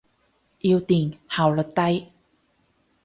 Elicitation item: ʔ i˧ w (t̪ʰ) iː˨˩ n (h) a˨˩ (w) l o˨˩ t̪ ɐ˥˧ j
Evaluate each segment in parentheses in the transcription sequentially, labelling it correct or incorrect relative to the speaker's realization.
incorrect: t̪, correct, correct

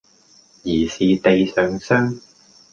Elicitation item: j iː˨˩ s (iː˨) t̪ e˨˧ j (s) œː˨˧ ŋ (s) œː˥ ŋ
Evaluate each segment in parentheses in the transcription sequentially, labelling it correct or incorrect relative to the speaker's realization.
correct, correct, correct

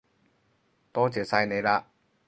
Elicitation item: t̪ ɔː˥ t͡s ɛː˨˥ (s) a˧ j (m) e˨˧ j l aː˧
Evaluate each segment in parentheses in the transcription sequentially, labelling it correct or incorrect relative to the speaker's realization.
correct, incorrect: n

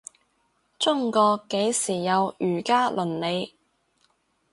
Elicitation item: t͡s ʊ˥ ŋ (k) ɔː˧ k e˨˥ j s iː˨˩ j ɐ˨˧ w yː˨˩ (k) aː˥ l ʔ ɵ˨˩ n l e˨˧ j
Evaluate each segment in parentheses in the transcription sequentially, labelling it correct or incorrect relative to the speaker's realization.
correct, correct

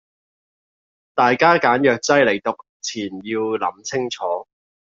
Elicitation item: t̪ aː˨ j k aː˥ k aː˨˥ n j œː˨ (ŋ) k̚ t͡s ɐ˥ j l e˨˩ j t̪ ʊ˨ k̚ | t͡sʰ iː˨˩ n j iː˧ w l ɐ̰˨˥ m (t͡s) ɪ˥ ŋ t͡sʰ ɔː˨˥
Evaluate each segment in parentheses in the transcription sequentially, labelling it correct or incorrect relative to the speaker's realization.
incorrect: none, incorrect: t͡sʰ

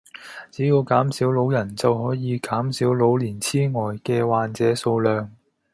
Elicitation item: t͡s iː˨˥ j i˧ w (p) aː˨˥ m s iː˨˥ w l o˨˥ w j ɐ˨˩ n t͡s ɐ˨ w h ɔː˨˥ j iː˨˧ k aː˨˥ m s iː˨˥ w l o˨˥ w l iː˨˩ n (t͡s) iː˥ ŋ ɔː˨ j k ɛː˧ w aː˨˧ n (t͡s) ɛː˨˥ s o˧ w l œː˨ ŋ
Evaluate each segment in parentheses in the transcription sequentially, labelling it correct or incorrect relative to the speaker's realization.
incorrect: k, incorrect: t͡sʰ, correct

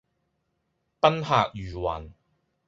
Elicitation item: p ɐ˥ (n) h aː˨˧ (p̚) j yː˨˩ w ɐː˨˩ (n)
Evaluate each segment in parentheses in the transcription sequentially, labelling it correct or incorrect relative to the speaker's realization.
correct, incorrect: k̚, correct

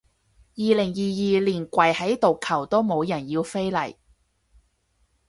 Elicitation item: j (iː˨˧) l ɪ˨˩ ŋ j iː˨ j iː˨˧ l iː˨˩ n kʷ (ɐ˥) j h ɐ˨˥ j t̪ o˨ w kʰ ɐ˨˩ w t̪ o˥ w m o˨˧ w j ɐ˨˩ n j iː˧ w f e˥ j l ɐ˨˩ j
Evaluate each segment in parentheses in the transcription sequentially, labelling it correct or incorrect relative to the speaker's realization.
correct, incorrect: ɐ˨˩

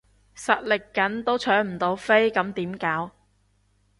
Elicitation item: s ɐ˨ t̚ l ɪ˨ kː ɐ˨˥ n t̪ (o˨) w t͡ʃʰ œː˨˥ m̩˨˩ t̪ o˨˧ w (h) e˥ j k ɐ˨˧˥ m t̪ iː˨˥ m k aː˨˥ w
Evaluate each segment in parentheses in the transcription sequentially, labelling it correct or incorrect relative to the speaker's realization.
incorrect: o˥, incorrect: f

